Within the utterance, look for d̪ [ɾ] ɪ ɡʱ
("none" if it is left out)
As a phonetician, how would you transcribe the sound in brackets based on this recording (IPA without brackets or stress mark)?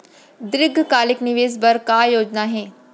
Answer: ɾ